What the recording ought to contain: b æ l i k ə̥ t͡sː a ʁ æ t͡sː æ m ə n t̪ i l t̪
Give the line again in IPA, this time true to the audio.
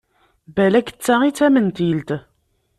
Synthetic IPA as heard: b æ l æ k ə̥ t͡sː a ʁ i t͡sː æ m ə n t̪ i l t̪